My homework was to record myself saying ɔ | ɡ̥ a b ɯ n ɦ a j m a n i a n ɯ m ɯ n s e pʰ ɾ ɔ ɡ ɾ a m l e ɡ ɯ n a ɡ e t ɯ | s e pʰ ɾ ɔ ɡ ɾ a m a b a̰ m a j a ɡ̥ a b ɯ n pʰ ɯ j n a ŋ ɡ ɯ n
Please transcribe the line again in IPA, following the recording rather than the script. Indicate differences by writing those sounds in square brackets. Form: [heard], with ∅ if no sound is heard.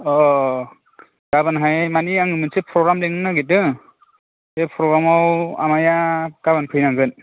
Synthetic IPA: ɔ | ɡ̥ a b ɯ n ɦ a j m a n i a [ŋ] ɯ m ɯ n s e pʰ ɾ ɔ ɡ ɾ a m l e [ŋ] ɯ n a ɡ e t ɯ | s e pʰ ɾ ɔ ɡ ɾ a m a [w] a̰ m a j a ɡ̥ a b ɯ n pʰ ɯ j n a ŋ ɡ ɯ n